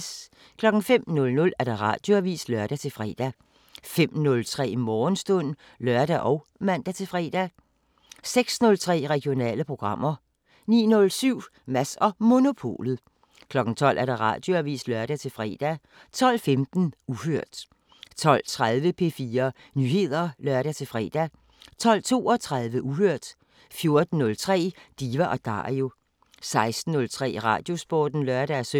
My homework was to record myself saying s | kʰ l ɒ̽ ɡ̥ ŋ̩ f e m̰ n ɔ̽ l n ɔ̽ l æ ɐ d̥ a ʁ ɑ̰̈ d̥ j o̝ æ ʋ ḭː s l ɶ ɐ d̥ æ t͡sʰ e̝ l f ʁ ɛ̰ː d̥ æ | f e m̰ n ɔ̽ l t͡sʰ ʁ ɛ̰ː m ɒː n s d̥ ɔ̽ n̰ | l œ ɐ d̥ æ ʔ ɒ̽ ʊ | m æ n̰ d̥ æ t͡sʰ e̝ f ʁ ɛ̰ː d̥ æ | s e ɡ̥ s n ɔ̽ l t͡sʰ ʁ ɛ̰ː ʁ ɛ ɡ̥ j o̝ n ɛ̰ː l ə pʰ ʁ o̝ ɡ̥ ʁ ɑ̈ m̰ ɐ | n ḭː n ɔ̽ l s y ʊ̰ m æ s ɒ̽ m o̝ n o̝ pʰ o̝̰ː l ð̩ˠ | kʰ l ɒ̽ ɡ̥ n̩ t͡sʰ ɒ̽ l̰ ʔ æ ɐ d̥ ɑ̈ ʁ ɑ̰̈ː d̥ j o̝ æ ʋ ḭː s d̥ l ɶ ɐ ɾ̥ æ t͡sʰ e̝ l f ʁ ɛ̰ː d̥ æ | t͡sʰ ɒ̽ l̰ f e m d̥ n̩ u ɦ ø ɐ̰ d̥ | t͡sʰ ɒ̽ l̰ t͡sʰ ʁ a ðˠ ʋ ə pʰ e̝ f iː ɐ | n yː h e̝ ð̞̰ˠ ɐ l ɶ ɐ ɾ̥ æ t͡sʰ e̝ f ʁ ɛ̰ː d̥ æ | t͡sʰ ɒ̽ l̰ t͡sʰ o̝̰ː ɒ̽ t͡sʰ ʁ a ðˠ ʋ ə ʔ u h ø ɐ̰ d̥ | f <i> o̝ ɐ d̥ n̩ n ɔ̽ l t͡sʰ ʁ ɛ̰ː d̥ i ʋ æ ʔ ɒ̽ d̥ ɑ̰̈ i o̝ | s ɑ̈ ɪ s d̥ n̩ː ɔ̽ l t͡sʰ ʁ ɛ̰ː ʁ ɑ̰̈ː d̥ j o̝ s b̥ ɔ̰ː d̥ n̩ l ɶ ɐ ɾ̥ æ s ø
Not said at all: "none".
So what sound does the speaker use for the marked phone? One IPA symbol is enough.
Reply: j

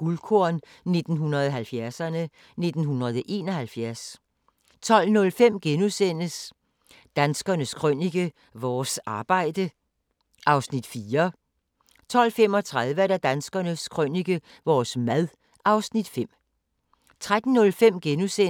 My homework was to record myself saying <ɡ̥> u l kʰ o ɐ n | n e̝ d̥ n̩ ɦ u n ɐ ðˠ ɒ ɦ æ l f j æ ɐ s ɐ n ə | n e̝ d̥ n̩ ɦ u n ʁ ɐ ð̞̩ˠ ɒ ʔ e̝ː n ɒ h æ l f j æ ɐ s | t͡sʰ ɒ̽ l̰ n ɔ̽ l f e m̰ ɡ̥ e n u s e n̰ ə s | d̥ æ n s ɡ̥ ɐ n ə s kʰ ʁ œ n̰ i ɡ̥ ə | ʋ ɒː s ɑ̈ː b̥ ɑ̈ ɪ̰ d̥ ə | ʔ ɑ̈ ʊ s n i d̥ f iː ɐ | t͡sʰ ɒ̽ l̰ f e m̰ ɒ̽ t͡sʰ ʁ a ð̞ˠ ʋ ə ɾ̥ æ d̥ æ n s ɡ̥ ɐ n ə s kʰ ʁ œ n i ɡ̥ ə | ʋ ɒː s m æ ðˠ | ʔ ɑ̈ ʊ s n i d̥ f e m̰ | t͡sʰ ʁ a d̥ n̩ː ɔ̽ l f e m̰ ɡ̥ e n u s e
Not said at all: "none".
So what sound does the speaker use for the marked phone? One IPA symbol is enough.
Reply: ɡ̥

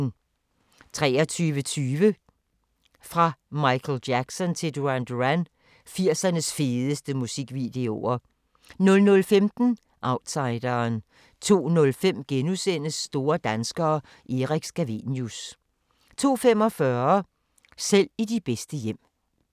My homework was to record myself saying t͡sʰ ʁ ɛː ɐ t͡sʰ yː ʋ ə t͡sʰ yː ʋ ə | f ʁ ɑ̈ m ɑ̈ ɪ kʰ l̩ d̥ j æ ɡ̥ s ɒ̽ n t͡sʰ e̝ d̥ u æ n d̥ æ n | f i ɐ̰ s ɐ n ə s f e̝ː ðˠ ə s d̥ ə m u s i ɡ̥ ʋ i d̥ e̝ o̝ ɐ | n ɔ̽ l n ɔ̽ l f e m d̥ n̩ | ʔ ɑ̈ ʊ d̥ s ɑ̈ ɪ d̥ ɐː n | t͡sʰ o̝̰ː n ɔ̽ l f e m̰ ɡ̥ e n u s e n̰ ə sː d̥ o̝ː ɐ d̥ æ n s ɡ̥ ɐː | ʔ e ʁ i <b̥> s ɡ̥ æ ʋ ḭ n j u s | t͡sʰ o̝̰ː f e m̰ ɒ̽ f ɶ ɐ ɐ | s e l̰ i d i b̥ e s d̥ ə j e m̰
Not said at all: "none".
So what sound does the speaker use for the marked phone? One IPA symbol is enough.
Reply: ɡ̥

